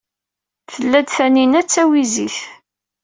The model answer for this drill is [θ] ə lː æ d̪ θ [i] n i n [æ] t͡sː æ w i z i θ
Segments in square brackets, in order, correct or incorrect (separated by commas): correct, incorrect, correct